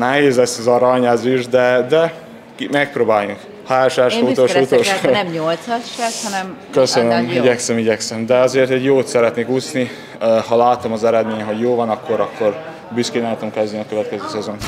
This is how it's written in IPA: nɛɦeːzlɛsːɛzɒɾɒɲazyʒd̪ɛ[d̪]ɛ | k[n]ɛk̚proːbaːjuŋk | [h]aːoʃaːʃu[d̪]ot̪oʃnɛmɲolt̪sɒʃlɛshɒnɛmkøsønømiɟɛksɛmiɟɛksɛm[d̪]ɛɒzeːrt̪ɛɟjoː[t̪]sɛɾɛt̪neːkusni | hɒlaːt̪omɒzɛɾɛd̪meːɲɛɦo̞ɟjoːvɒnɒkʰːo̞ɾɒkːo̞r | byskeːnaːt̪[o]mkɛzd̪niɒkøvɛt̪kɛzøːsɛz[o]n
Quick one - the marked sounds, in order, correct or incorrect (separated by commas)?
correct, incorrect, correct, incorrect, correct, correct, correct, correct